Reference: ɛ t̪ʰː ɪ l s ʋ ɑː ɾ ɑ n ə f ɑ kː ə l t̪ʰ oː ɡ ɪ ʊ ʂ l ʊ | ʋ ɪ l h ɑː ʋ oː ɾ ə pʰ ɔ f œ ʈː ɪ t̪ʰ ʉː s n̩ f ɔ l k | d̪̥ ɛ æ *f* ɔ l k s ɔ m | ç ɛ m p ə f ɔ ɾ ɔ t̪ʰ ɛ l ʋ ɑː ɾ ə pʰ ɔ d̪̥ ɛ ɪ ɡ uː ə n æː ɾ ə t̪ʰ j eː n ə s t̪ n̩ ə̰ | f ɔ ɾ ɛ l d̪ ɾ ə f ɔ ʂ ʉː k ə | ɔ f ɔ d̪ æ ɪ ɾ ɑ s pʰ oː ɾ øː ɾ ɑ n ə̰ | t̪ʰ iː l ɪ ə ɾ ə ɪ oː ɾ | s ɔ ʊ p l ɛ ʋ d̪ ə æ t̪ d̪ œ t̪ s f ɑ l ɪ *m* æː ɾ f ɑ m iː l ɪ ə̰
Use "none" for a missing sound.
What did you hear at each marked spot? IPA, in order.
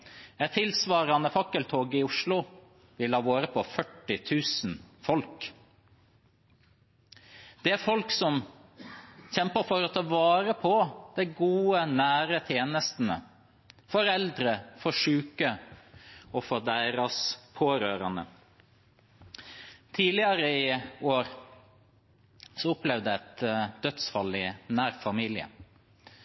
f, n

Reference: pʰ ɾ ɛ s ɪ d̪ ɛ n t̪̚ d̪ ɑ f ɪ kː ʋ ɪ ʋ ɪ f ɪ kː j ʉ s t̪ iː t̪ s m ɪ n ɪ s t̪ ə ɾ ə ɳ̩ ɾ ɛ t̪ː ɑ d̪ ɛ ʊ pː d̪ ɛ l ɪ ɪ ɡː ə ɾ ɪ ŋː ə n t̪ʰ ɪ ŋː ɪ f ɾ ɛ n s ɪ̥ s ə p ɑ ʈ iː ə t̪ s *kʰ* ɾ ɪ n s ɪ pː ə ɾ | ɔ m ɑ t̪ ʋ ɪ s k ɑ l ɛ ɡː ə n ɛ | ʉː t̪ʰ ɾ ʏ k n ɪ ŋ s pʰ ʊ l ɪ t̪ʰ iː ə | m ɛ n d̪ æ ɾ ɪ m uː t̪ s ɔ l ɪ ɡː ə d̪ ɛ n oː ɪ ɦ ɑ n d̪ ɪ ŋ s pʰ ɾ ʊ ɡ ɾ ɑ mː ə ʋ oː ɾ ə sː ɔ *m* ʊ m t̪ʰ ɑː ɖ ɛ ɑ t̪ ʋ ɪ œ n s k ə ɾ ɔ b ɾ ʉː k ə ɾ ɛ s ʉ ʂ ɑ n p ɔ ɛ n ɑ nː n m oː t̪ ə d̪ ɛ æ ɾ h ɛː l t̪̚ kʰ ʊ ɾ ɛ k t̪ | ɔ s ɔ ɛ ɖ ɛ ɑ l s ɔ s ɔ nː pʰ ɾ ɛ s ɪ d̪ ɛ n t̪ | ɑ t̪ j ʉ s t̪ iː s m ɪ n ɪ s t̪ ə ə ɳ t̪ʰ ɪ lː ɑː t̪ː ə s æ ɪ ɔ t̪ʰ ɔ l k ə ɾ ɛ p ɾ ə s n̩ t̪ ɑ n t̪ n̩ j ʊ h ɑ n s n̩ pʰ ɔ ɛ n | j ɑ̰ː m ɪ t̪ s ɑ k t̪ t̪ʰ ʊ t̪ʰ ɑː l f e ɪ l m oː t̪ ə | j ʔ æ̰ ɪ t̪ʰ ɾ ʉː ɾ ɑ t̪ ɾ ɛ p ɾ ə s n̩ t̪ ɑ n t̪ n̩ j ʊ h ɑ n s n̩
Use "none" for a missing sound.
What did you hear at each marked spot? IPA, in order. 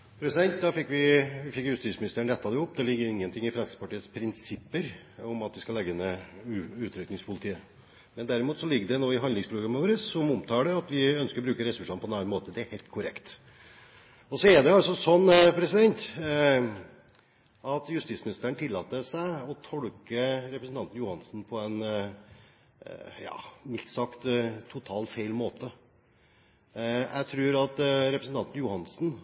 pʰ, m

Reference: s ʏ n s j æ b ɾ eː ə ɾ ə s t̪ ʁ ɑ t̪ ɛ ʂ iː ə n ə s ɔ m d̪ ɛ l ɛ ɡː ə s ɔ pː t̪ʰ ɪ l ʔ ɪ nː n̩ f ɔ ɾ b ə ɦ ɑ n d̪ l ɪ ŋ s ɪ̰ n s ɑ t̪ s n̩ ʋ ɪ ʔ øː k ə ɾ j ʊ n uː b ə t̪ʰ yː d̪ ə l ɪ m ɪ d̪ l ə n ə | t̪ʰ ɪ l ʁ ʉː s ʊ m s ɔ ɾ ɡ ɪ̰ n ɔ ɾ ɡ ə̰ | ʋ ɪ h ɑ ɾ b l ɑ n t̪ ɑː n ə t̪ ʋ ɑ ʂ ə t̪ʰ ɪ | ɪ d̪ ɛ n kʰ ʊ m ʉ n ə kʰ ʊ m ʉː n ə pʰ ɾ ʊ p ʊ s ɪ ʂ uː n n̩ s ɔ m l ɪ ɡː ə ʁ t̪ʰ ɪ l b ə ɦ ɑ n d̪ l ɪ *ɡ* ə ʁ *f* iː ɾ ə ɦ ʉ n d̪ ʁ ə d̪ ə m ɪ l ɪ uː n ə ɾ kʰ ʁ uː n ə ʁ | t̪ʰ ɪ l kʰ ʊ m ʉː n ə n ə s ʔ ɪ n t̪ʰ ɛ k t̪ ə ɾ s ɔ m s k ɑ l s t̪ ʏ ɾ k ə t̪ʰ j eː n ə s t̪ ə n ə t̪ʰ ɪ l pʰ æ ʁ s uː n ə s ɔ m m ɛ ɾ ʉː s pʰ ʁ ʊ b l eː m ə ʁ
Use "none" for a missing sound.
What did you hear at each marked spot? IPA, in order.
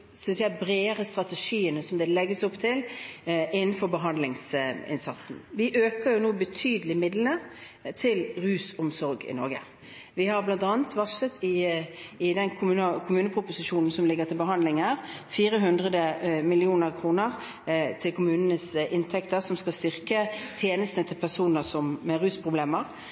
ŋ, f

